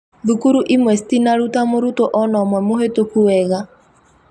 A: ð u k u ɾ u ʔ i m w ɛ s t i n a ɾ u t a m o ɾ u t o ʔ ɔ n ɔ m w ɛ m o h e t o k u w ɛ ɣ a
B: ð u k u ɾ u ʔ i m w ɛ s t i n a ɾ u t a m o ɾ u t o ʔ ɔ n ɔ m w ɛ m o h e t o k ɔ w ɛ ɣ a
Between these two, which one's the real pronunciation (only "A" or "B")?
A